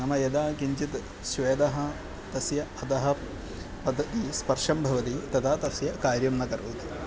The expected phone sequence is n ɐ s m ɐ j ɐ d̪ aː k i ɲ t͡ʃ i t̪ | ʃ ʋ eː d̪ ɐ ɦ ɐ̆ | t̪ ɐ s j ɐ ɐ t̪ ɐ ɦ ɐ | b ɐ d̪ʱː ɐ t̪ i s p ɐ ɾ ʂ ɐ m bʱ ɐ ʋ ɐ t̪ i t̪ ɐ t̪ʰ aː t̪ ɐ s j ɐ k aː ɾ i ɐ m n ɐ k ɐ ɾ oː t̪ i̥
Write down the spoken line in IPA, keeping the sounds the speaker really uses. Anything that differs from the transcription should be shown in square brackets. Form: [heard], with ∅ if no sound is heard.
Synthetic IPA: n ɐ [∅] m ɐ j ɐ d̪ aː k i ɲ t͡ʃ i t̪ | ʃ ʋ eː d̪ ɐ ɦ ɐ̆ | t̪ ɐ s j ɐ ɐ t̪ ɐ ɦ ɐ | [p] ɐ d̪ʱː ɐ t̪ i s p ɐ ɾ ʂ ɐ m bʱ ɐ ʋ ɐ t̪ i t̪ ɐ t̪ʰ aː t̪ ɐ s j ɐ k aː ɾ [j] ɐ m n ɐ k ɐ ɾ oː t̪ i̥